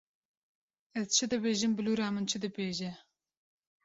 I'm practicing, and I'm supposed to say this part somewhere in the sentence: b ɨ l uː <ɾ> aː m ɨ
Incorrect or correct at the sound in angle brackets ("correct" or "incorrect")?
correct